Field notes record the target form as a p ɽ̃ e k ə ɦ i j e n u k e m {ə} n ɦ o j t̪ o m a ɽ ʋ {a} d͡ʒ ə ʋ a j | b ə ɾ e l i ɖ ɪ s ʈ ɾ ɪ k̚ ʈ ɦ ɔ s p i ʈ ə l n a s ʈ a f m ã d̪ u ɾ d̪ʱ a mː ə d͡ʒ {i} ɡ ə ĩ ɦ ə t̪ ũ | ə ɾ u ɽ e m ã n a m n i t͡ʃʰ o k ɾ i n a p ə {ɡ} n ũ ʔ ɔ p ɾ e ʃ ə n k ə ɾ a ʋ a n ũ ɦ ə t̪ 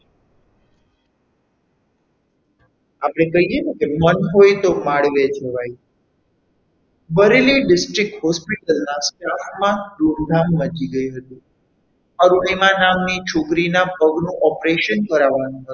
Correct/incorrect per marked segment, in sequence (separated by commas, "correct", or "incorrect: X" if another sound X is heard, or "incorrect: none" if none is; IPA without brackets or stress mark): correct, incorrect: e, correct, correct